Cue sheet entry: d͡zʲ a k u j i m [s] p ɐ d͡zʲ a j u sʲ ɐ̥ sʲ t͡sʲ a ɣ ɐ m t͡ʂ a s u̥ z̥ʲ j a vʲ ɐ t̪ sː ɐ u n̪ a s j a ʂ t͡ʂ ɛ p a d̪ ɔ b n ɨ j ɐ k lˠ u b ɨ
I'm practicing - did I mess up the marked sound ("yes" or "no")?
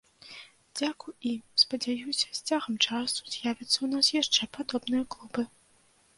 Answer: no